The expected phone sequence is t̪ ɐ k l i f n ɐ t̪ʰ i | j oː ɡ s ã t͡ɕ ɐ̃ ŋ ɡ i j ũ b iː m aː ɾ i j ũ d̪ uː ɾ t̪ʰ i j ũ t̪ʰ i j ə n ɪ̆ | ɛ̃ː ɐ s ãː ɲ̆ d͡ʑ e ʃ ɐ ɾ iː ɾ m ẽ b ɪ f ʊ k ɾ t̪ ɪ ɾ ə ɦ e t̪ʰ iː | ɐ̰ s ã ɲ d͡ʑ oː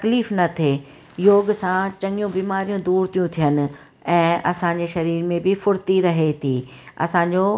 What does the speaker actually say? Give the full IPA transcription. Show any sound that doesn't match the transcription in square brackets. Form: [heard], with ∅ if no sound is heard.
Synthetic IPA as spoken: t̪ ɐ k l [iː] f n ɐ t̪ʰ [e] | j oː ɡ s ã t͡ɕ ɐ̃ ŋ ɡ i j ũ b iː m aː ɾ i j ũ d̪ uː ɾ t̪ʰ i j ũ t̪ʰ i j ə n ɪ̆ | ɛ̃ː ɐ s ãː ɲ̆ d͡ʑ e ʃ ɐ ɾ iː ɾ m ẽ b ɪ f ʊ [∅] ɾ t̪ [i] ɾ [ɐ] ɦ e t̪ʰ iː | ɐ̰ s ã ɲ d͡ʑ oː